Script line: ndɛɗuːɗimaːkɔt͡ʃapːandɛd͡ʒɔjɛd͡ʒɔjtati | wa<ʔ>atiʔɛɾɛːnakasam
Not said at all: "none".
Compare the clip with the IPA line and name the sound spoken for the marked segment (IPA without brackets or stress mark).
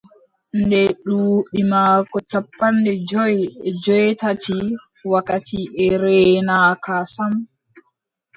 k